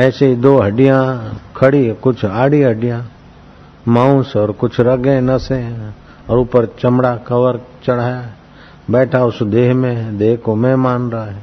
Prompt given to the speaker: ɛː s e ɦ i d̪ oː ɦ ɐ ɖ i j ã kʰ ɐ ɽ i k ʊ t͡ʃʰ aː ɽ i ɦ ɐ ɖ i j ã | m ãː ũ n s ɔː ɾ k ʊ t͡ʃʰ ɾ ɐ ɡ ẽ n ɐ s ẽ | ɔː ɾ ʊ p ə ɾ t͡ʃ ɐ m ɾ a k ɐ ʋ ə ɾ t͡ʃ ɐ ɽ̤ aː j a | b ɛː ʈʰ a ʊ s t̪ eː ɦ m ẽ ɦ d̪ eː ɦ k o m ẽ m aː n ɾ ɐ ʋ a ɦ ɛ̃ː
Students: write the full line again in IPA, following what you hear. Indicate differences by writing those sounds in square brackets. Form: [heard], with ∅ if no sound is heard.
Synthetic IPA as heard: ɛː s e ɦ i d̪ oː ɦ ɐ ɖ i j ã kʰ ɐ ɽ i k ʊ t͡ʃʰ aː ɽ i ɦ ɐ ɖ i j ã | m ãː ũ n s ɔː ɾ k ʊ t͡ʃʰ ɾ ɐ ɡ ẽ n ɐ s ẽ | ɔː ɾ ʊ p ə ɾ t͡ʃ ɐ m [ɽ] a k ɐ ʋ ə ɾ t͡ʃ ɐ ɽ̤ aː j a | b ɛː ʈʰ a ʊ s [d̪] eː ɦ m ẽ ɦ d̪ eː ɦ k o m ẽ m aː n ɾ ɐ [∅] a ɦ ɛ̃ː